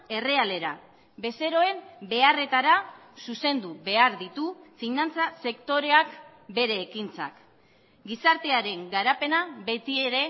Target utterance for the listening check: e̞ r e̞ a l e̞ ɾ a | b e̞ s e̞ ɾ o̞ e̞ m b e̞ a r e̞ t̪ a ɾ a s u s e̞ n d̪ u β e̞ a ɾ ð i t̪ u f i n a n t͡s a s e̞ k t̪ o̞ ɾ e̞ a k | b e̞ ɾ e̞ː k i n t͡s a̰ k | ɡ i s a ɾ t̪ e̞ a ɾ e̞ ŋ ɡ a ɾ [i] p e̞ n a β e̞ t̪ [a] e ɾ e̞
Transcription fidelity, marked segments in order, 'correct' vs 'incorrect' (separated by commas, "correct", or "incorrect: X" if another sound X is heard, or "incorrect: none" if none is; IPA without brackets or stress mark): incorrect: a, incorrect: i